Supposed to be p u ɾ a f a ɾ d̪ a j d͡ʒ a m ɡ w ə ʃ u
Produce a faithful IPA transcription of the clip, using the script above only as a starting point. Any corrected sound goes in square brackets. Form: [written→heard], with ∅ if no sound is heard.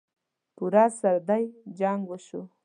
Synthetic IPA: p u ɾ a [f→s] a ɾ d̪ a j d͡ʒ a [m→ŋ] ɡ w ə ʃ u